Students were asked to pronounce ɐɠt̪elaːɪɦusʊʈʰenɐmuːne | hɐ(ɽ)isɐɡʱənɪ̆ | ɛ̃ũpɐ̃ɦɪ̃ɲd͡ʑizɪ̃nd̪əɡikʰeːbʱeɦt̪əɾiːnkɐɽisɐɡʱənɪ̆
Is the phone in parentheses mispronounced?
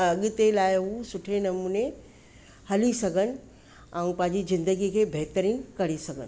yes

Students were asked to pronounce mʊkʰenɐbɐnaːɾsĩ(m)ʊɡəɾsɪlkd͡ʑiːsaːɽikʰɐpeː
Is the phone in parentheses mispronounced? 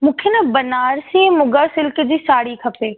no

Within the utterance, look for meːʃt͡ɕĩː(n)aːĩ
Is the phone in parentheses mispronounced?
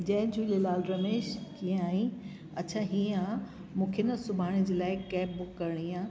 yes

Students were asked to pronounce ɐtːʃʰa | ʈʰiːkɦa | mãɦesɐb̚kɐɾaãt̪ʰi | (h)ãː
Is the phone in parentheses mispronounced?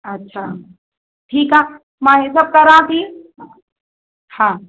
no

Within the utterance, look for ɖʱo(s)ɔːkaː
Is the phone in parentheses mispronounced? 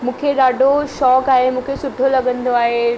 yes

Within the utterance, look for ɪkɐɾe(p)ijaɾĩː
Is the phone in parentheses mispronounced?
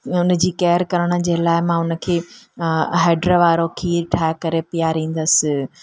no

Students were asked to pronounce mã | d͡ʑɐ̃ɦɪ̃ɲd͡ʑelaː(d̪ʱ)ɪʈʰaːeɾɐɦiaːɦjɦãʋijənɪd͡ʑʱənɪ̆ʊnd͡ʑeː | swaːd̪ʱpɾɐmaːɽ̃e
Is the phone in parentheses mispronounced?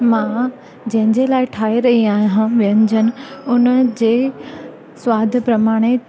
yes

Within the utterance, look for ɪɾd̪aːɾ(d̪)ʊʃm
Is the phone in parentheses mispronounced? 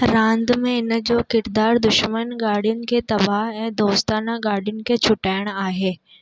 no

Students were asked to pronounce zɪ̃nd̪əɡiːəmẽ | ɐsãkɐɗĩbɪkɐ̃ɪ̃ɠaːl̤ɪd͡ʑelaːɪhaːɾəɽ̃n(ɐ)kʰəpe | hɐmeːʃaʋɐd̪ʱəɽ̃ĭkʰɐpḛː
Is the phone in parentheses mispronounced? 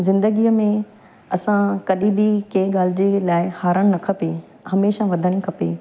no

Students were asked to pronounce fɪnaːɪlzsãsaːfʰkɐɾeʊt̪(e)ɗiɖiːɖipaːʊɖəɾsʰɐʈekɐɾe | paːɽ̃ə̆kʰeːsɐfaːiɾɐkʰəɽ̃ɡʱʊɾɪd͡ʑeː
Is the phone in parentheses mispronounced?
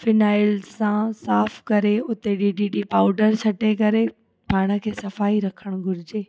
no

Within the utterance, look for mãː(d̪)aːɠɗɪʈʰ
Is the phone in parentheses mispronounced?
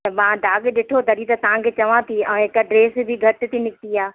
no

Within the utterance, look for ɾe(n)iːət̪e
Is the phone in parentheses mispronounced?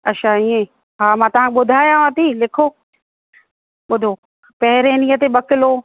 no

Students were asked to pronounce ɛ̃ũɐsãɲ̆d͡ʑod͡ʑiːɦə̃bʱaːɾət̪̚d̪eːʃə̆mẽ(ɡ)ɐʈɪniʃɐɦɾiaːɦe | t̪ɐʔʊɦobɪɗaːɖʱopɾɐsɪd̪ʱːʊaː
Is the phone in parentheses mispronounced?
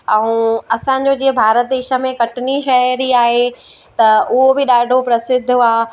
yes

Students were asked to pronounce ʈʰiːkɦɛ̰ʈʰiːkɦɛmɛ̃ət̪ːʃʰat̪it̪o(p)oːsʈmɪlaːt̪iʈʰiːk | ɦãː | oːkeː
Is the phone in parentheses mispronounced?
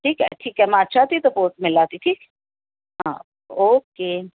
no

